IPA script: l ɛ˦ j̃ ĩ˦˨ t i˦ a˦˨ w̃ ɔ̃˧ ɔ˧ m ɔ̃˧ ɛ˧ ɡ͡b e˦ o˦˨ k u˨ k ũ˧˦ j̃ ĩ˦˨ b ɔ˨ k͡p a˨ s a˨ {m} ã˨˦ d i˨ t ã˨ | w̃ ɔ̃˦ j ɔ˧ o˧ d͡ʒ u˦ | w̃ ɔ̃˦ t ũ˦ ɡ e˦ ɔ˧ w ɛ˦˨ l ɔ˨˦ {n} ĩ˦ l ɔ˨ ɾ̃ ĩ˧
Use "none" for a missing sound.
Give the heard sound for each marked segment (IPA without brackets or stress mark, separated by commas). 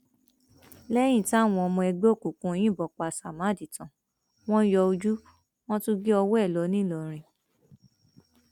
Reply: m, n